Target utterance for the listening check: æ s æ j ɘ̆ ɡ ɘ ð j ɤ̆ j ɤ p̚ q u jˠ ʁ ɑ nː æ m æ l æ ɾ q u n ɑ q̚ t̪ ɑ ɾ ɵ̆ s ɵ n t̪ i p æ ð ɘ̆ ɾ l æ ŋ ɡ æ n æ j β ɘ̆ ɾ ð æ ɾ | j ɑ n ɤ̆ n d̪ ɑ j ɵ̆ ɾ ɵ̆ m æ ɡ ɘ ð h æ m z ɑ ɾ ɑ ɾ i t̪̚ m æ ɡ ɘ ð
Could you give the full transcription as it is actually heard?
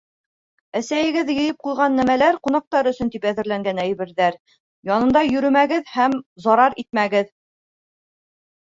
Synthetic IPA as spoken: æ s æ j ɘ̆ ɡ ɘ ð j ɤ̆ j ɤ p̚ q u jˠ ʁ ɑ nː æ m æ l æ ɾ q u n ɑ q̚ t̪ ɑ ɾ ɵ̆ s ɵ n t̪ i p æ ð ɘ̆ ɾ l æ ŋ ɡ æ n æ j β ɘ̆ ɾ ð æ ɾ | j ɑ n ɤ̆ n d̪ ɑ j ɵ̆ ɾ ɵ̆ m æ ɡ ɘ ð h æ m z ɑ ɾ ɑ ɾ i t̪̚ m æ ɡ ɘ ð